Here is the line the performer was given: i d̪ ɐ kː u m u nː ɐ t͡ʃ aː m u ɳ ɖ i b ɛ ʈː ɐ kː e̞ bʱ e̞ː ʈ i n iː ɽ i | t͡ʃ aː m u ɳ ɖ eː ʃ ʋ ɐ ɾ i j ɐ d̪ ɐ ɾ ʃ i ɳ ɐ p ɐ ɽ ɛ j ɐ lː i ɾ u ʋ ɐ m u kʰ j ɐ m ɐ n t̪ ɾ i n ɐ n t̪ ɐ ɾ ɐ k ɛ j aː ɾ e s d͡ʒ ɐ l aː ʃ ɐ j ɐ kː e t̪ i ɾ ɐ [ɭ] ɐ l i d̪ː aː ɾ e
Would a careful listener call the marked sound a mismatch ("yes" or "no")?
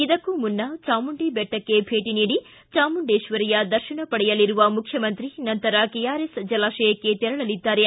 no